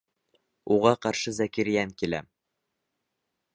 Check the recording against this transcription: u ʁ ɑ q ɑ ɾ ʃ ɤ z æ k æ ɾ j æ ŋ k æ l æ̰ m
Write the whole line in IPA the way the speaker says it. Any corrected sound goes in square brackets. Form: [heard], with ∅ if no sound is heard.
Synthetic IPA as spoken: u ʁ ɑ q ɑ ɾ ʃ ɤ z æ k [i] ɾ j æ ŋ k [i] l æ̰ m